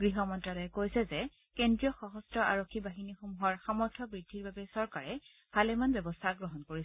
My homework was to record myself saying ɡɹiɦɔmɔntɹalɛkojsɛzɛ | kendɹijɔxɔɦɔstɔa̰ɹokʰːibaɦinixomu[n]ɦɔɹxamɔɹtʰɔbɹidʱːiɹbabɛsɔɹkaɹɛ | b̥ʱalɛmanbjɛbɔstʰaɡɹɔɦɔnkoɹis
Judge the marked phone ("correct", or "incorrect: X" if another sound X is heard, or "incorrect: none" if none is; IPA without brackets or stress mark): incorrect: none